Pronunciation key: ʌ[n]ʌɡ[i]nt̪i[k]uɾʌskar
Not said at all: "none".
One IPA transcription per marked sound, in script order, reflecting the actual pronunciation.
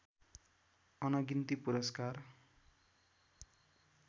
n, i, p

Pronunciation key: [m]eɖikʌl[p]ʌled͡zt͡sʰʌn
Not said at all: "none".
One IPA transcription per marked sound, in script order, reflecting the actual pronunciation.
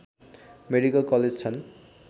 m, k

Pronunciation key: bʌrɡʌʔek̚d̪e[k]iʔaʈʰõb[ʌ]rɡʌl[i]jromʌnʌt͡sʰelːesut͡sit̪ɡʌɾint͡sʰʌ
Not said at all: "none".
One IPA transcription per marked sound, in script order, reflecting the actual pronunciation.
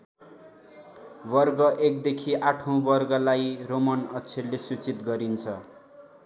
kʰ, ʌ, a

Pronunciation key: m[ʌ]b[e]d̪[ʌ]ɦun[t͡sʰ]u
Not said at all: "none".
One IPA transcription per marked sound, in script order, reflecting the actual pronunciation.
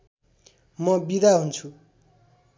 ʌ, i, a, t͡sʰ

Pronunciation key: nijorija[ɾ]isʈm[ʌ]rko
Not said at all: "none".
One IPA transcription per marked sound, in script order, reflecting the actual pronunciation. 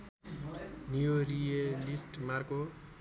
l, a

